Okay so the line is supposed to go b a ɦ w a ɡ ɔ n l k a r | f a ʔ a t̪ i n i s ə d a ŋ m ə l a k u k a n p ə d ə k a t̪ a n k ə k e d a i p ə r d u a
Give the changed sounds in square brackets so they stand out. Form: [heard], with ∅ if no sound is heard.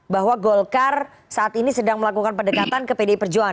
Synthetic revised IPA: b a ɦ w a ɡ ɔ [∅] l k a r | [s] a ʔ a t̪ i n i s ə d a ŋ m ə l a k u k a n p ə d ə k a t̪ a n k ə [p] e d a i p ə r [d͡ʒ] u a